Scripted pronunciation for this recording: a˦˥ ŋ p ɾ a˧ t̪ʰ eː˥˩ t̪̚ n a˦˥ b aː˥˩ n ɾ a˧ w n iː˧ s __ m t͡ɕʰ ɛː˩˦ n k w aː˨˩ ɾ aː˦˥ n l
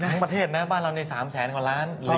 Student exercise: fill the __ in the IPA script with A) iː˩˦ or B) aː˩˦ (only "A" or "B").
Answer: B